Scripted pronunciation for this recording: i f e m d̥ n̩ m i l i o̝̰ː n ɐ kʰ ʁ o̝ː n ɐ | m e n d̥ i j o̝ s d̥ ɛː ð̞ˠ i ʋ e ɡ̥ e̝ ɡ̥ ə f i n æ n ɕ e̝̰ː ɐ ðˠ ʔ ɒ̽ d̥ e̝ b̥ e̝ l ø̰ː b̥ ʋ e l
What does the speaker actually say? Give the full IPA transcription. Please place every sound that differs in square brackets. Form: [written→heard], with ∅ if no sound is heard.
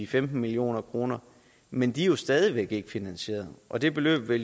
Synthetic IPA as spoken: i f e m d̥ n̩ m i l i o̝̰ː n ɐ kʰ ʁ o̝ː n ɐ | m e n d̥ i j o̝ s d̥ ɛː ð̞ˠ i ʋ e ɡ̥ e̝ ɡ̥ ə f i n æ n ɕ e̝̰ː ɐ ðˠ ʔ ɒ̽ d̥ e̝ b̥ e̝ l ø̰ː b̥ ʋ e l